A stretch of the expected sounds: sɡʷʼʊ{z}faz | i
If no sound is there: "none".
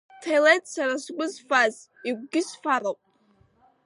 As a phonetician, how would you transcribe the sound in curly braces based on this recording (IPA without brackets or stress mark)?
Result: z